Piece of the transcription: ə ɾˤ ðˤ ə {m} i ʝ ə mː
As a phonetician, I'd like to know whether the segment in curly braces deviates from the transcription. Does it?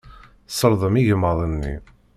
no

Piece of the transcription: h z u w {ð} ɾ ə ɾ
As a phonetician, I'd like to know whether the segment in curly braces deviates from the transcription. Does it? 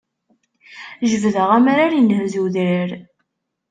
no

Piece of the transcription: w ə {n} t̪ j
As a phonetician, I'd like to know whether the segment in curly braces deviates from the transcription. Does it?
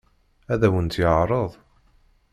no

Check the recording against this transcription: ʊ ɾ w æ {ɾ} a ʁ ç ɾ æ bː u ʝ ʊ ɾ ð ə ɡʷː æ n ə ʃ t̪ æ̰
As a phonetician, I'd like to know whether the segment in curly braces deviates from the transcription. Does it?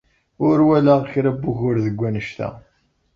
yes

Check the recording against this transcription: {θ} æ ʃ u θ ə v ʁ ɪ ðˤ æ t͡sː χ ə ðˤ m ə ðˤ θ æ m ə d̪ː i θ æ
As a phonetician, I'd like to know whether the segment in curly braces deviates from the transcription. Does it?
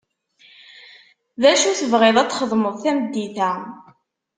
yes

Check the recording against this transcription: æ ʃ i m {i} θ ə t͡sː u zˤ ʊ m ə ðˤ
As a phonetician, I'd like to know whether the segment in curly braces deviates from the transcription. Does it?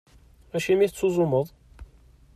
no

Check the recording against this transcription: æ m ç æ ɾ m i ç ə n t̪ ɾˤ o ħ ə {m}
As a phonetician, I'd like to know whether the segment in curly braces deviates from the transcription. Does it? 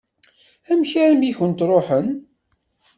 yes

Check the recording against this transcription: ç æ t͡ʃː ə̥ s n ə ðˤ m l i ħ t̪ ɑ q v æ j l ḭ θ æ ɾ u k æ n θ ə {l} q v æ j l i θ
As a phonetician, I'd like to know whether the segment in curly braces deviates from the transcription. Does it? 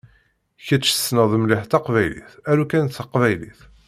yes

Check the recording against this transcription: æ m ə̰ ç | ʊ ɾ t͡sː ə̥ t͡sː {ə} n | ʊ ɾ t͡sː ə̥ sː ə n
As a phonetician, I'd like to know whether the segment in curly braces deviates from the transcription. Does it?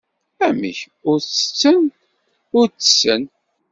no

